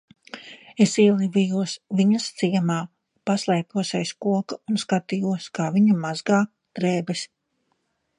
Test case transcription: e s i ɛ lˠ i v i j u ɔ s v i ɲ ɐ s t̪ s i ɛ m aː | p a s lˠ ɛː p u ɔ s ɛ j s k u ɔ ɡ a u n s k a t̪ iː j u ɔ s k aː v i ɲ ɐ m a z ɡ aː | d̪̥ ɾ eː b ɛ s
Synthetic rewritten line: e s i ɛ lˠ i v i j u ɔ s v i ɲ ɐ s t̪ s i ɛ m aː | p a s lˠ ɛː p u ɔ s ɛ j s k u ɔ k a u n s k a t̪ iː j u ɔ s k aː v i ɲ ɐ m a z ɡ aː | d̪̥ ɾ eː b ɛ s